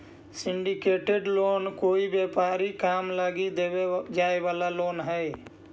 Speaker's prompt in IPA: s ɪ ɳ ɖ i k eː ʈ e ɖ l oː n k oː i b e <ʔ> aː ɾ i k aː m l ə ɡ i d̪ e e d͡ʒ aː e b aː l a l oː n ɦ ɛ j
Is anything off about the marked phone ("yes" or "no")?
yes